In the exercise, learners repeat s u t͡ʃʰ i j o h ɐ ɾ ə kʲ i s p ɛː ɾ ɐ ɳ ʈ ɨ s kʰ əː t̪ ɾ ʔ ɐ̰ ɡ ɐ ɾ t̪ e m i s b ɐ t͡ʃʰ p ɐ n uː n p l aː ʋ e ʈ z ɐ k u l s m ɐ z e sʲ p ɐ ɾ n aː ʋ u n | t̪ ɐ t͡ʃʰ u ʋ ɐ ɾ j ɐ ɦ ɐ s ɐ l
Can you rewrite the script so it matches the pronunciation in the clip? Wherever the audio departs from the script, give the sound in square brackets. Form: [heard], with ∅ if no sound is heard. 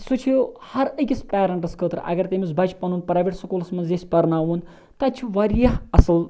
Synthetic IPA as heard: s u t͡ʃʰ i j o h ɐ ɾ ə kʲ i s p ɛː ɾ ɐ ɳ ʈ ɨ s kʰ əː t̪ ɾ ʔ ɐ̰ ɡ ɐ ɾ t̪ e m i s b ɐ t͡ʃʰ p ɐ n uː n p [ɾ] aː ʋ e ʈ [s] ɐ k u l s m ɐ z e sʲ p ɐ ɾ n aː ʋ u n | t̪ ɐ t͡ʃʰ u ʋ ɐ ɾ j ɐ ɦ ɐ s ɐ l

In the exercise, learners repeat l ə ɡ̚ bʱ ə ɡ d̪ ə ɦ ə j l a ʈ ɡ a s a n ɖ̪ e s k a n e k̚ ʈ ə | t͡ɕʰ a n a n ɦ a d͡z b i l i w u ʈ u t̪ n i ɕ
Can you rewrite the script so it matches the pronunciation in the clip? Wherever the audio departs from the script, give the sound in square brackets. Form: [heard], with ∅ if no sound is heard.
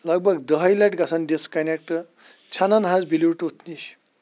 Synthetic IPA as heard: l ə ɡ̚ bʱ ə ɡ d̪ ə ɦ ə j l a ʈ ɡ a s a n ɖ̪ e s k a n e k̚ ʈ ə | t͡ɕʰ a n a n ɦ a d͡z b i l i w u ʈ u t̪ n i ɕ

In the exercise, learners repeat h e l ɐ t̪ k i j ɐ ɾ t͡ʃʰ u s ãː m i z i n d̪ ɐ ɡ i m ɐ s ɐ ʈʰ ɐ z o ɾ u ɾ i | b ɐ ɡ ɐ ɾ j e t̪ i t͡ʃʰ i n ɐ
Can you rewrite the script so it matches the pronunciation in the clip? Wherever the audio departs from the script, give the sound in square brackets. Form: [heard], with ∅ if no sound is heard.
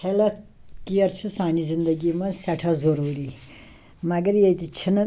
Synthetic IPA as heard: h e l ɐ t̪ k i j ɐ ɾ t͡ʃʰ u s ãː [n] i z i n d̪ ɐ ɡ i m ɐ s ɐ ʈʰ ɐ z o ɾ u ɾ i | [m] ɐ ɡ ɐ ɾ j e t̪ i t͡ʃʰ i n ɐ

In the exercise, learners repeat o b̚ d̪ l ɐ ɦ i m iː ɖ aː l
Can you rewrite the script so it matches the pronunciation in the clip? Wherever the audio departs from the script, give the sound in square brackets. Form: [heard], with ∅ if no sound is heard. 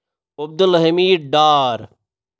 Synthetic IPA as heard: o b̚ d̪ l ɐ ɦ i m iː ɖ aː [ɾ]

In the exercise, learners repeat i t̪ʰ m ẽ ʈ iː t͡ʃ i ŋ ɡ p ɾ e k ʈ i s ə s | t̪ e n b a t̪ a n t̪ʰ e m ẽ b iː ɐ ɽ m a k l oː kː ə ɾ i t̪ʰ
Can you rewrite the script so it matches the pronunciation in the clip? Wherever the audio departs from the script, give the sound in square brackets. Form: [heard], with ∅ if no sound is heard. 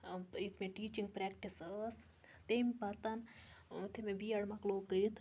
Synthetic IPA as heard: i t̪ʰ m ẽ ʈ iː t͡ʃ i ŋ ɡ p ɾ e k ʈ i s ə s | t̪ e [m] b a t̪ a n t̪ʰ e m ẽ b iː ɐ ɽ m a k l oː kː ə ɾ i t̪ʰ

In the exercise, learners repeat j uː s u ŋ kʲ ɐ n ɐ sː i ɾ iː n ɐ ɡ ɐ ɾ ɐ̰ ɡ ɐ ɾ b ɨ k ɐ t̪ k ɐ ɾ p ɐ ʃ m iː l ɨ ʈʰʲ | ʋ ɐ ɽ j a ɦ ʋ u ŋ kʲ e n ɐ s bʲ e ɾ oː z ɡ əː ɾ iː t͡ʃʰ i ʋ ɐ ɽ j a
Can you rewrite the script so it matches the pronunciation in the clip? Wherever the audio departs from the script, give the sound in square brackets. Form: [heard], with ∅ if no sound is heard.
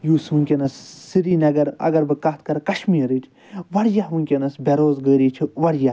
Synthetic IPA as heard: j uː s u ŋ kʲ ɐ n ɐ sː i ɾ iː n ɐ ɡ ɐ ɾ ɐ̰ ɡ ɐ ɾ b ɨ k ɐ t̪ k ɐ ɾ [k] ɐ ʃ m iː [ɾ] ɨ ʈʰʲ | ʋ ɐ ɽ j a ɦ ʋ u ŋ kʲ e n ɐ s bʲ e ɾ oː z ɡ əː ɾ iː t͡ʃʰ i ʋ ɐ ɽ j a

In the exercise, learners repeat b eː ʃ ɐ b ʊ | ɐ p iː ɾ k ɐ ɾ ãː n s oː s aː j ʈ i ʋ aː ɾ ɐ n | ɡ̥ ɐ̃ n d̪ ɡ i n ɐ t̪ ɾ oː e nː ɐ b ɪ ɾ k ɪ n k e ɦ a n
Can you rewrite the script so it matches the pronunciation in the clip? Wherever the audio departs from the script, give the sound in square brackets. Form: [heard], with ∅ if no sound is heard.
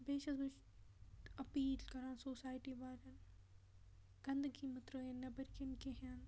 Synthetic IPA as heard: b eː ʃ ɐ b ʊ | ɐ p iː [l] k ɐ ɾ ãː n s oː s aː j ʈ i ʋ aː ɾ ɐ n | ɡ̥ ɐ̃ n d̪ ɡ i [m] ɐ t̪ ɾ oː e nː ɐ b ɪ ɾ k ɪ n k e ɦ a n

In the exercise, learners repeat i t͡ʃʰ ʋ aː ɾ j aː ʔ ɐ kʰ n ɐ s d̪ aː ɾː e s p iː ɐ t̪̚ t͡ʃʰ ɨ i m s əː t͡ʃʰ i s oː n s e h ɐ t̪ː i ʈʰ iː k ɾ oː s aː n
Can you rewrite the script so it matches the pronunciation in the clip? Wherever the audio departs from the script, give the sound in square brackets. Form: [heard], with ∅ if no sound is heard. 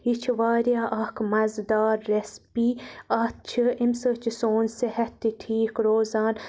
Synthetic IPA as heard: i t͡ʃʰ ʋ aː ɾ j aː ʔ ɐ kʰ [m] ɐ [z] d̪ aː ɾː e s p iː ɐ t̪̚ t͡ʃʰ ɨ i m s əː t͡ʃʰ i s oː n s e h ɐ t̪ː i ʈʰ iː k ɾ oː [z] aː n

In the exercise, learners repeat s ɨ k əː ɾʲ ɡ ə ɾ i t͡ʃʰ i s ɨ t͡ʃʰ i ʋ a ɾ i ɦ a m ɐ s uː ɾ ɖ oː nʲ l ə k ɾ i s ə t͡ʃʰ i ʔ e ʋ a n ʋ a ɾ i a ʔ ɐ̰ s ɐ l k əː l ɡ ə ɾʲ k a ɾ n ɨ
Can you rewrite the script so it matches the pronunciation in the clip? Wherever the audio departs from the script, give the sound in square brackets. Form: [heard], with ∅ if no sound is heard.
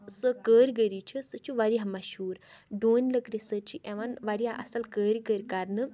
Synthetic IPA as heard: s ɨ k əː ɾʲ ɡ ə ɾ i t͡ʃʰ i s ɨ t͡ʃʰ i ʋ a ɾ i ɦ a m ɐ [ʃ] uː ɾ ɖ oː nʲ l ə k ɾ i s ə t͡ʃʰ i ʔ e ʋ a n ʋ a ɾ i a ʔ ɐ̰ s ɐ l k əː [ɾ] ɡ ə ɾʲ k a ɾ n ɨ

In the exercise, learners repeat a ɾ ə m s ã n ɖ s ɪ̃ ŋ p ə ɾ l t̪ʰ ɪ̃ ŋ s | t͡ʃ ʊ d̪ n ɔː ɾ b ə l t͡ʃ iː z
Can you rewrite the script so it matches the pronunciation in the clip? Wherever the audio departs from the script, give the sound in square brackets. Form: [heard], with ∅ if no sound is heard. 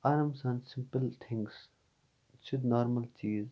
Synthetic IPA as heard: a ɾ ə m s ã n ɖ s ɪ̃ [m] p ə [∅] l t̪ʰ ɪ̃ ŋ s | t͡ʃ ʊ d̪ n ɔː ɾ [m] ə l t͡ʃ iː z

